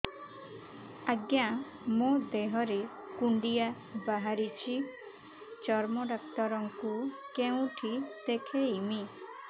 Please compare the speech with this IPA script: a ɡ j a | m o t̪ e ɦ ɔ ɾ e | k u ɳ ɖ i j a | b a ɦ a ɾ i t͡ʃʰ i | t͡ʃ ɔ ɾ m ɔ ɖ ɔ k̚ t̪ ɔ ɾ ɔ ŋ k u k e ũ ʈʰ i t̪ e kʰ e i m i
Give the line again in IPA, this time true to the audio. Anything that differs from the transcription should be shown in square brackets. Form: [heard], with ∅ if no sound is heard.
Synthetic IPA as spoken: a ɡ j a | m o [d̪] e ɦ ɔ ɾ e | k u ɳ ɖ i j a | b a ɦ a ɾ i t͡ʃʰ i | t͡ʃ ɔ ɾ m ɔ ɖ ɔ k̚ t̪ ɔ ɾ ɔ ŋ k u k e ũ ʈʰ i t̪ e kʰ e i m i